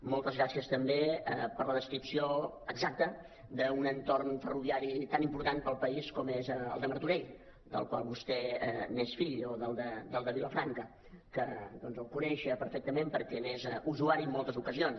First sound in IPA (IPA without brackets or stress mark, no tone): m